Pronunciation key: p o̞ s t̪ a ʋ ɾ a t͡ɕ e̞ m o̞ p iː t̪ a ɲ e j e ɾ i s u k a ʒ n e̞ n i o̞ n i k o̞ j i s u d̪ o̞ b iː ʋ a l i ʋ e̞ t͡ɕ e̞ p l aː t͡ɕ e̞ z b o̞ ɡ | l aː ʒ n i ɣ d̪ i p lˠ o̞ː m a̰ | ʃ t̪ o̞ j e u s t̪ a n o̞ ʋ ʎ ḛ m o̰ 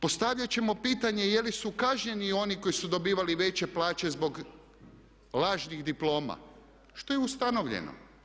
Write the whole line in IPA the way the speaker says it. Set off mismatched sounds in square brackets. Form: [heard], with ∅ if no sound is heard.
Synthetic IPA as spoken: p o̞ s t̪ a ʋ [ʎ] a t͡ɕ e̞ m o̞ p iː t̪ a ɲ e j e [l] i s u k a ʒ [ɲ] e̞ n i o̞ n i k o̞ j i s u d̪ o̞ b iː ʋ a l i ʋ e̞ t͡ɕ e̞ p l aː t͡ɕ e̞ z b o̞ ɡ | l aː ʒ n i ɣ d̪ i p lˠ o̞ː m a̰ | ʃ t̪ o̞ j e u s t̪ a n o̞ ʋ ʎ ḛ [n] o̰